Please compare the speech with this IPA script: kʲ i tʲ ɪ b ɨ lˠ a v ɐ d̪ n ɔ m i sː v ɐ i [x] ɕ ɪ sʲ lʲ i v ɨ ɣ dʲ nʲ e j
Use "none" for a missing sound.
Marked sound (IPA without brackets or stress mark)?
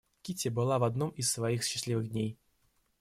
x